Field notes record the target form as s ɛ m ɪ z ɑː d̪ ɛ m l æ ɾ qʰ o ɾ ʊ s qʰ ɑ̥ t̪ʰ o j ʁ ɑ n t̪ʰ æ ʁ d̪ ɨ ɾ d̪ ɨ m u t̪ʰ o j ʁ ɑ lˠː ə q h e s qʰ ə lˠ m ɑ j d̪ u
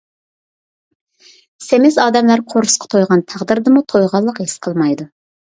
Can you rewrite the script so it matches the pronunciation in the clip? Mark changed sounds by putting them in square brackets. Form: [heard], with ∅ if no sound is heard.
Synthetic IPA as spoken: s [e] m ɪ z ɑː d̪ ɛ m l æ ɾ qʰ o ɾ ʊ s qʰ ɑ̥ t̪ʰ o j ʁ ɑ n t̪ʰ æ ʁ d̪ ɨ ɾ d̪ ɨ m u t̪ʰ o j ʁ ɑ lˠː ə q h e s qʰ ə lˠ m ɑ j d̪ u